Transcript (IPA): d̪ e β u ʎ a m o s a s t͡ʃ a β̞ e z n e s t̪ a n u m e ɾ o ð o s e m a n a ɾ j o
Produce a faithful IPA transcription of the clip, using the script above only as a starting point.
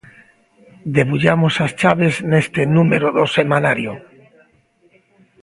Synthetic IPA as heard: d̪ e β u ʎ a m o s a s t͡ʃ a β̞ e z n e s t̪ e n u m e ɾ o ð o s e m a n a ɾ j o